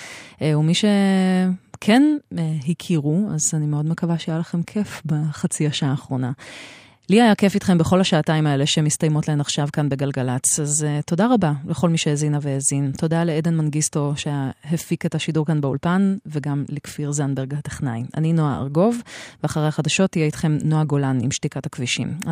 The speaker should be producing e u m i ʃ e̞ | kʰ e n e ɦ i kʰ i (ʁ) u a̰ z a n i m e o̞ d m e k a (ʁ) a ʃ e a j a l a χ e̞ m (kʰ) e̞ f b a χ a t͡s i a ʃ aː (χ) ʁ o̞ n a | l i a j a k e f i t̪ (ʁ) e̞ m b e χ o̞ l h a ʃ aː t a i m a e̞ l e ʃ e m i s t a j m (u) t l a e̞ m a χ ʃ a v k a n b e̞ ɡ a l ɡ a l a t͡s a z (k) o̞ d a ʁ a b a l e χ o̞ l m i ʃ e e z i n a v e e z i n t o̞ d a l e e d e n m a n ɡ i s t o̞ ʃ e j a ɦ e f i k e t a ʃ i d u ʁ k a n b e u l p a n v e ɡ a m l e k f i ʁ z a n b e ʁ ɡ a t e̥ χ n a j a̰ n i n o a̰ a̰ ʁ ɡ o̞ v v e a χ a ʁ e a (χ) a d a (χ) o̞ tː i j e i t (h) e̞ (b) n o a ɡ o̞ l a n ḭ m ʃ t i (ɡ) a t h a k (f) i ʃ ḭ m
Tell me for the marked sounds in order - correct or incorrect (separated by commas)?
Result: correct, incorrect, correct, correct, incorrect, incorrect, incorrect, correct, incorrect, incorrect, incorrect, incorrect, incorrect